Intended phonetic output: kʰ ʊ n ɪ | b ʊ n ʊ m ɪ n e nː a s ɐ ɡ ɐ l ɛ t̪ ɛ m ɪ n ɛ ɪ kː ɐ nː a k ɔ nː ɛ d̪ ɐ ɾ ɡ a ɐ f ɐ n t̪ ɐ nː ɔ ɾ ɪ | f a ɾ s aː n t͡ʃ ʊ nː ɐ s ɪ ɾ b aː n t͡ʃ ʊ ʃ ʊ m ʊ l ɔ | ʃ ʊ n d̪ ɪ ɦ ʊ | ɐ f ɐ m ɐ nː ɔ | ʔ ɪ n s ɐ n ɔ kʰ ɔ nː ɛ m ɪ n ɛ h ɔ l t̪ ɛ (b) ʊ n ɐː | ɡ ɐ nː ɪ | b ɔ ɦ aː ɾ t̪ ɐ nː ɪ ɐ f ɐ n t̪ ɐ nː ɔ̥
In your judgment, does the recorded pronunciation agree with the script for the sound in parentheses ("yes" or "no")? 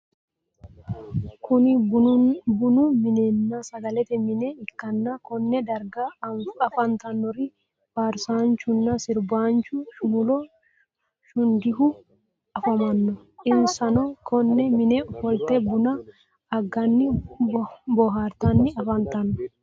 yes